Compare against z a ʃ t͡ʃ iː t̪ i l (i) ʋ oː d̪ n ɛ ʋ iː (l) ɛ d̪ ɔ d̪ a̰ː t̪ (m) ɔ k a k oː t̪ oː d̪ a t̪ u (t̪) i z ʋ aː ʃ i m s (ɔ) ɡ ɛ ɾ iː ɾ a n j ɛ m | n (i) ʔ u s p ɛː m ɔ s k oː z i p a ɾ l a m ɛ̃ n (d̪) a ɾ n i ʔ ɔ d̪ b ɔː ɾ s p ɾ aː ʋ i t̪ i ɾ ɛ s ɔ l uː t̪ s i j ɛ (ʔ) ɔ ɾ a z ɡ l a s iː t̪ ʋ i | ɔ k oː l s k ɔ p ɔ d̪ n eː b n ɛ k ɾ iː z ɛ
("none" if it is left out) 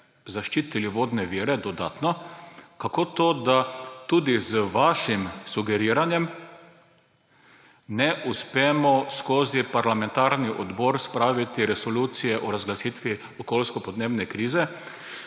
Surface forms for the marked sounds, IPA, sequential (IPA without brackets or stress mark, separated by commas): i, ɾ, n, d̪, u, ɛ, t̪, ʔ